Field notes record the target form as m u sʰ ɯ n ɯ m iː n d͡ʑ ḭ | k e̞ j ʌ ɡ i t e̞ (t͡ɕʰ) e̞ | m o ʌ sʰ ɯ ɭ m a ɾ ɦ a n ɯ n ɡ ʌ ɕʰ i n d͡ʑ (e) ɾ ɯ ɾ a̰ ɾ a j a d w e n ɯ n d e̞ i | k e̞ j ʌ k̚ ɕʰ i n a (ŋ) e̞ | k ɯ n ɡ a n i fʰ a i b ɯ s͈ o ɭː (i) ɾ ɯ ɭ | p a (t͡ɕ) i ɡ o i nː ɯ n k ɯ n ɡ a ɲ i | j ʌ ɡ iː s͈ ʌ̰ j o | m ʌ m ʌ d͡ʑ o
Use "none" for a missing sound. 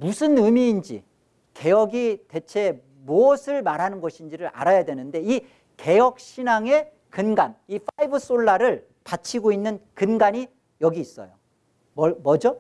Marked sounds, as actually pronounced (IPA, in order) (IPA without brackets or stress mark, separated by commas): t͡ɕʰ, i, ŋ, a, t͡ɕʰ